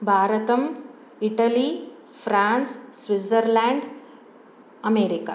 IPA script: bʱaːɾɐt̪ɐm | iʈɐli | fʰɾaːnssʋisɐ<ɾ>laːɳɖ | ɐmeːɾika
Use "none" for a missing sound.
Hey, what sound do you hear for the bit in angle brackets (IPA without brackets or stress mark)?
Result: ɾ